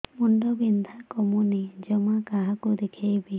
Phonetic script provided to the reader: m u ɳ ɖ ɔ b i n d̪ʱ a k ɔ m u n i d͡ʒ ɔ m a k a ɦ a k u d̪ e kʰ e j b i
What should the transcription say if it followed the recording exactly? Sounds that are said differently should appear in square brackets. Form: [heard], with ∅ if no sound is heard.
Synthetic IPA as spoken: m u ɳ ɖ ɔ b i n d̪ʱ a k ɔ m u n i d͡ʒ ɔ m a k a ɦ a k u d̪ e kʰ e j b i

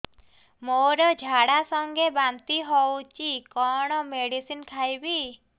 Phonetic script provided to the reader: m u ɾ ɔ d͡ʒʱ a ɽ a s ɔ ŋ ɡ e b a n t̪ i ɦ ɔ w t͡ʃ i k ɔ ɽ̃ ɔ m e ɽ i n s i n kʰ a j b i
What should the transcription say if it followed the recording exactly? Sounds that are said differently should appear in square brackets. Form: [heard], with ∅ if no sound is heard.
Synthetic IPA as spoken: m [o] ɾ ɔ d͡ʒʱ a ɽ a s ɔ ŋ ɡ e b a n t̪ i ɦ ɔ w t͡ʃ i k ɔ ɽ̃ ɔ m e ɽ i [∅] s i n kʰ a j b i

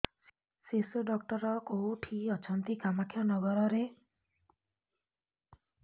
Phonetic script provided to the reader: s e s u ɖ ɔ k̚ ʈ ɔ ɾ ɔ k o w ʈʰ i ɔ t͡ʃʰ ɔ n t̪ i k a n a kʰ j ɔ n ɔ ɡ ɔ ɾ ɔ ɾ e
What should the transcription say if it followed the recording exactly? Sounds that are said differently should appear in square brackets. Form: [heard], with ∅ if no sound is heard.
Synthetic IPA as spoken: s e s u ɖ ɔ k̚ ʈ ɔ ɾ ɔ k o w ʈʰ i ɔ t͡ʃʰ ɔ n t̪ i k a [m] a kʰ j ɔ n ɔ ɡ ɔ ɾ ɔ ɾ e

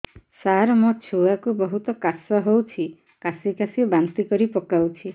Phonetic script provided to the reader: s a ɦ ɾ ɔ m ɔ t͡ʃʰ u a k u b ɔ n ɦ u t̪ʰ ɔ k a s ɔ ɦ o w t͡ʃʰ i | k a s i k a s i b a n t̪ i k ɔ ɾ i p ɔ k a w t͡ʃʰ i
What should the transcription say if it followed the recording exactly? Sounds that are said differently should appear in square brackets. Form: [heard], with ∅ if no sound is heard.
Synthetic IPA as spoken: s a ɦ ɾ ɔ m ɔ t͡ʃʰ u a k u b ɔ [∅] ɦ u [t̪] ɔ k a s ɔ ɦ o w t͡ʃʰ i | k a s i k a s i b a n t̪ i k ɔ ɾ i p ɔ k a w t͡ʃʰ i

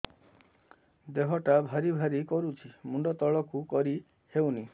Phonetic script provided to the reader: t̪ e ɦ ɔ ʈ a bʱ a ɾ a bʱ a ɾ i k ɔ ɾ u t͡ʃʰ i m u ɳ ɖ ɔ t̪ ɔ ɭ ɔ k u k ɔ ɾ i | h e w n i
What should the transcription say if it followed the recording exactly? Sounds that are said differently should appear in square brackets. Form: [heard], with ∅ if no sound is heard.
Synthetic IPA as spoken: [d̪] e ɦ ɔ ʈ a bʱ a ɾ [i] bʱ a ɾ i k ɔ ɾ u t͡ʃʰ i m u ɳ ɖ ɔ t̪ ɔ ɭ ɔ k u k ɔ ɾ i | h e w n i

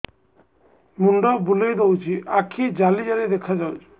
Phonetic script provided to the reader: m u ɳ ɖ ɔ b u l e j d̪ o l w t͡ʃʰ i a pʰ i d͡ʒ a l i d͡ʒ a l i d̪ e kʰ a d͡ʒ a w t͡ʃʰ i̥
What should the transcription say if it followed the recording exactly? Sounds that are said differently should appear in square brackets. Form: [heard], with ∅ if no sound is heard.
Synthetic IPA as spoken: m u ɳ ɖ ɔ b u l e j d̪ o [∅] w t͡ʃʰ i a [kʰ] i d͡ʒ a l i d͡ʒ a l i d̪ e kʰ a d͡ʒ a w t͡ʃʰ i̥

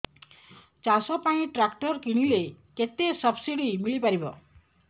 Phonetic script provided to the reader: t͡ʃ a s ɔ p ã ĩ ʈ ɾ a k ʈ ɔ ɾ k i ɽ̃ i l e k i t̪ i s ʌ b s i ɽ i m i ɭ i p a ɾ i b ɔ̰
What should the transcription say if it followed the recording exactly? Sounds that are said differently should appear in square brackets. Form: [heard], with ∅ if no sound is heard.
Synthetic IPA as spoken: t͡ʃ a s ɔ p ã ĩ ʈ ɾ a k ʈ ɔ ɾ k i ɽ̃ i l e k [e] t̪ [e] s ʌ b s i ɽ i m i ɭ i p a ɾ i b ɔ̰

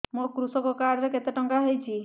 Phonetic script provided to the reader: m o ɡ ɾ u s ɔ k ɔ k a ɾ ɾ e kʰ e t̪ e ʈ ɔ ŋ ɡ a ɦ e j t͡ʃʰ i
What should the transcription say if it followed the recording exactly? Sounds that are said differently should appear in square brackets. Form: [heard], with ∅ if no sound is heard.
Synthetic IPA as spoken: m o [k] ɾ u s ɔ k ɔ k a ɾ ɾ e [k] e t̪ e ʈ ɔ ŋ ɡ a ɦ e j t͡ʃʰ i

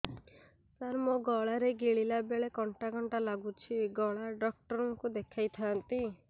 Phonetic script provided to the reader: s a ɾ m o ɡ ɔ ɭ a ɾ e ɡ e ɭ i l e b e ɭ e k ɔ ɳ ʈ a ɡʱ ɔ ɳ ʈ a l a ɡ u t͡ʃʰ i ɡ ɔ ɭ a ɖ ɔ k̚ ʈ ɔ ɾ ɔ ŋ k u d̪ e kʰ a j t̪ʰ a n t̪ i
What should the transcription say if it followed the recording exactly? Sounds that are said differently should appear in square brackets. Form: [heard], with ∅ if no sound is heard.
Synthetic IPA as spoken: s a ɾ m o ɡ ɔ ɭ a ɾ e ɡ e ɭ i l [a] b e ɭ e k ɔ ɳ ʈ a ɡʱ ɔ ɳ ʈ a l a ɡ u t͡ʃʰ i ɡ ɔ ɭ a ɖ ɔ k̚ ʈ ɔ ɾ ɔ ŋ k u d̪ e kʰ a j t̪ʰ a n t̪ i

